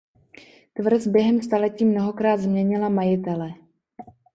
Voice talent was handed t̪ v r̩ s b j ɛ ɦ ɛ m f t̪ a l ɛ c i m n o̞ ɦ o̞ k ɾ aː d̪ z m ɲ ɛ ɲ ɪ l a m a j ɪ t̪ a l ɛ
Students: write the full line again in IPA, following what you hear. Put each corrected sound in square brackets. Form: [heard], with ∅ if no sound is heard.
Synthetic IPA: t̪ v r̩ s b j ɛ ɦ ɛ m [s] t̪ a l ɛ c [iː] m n o̞ ɦ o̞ k ɾ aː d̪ z m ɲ ɛ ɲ ɪ l a m a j ɪ t̪ [ɛ] l ɛ